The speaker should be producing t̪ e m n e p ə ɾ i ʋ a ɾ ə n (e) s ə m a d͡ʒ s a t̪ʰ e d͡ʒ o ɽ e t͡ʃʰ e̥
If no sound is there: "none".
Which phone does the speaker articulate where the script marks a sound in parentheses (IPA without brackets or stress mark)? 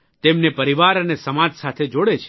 e